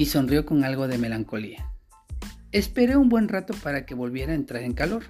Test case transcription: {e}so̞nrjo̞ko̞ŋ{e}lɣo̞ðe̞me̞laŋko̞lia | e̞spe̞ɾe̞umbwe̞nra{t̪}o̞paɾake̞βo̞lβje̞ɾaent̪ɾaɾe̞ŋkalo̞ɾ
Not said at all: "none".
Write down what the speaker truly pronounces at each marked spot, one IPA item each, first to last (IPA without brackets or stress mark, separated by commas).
i, a, t̪